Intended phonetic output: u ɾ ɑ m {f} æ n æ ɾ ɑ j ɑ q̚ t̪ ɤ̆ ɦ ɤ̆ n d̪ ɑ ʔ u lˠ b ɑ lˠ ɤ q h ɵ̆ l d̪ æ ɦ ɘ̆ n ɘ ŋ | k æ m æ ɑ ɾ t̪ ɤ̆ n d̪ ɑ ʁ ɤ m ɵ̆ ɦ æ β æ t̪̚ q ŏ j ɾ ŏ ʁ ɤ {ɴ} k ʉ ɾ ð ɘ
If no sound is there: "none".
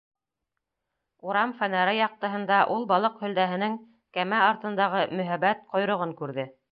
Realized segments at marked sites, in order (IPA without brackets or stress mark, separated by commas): f, ŋ